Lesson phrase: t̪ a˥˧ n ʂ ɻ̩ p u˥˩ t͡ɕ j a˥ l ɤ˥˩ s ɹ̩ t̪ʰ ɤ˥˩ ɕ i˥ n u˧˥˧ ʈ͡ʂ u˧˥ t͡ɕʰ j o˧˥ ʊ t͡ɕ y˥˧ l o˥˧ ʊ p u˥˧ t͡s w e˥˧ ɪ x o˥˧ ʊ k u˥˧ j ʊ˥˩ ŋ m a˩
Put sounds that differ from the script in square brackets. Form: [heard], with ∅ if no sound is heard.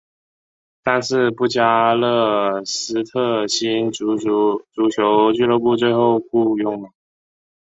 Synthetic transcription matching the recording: t̪ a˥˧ n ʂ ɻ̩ p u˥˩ t͡ɕ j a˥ l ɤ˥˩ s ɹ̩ t̪ʰ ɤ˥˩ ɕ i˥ n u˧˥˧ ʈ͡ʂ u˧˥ t͡ɕʰ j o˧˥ ʊ t͡ɕ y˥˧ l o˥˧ ʊ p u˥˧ t͡s w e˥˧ ɪ x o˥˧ ʊ k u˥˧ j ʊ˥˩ ŋ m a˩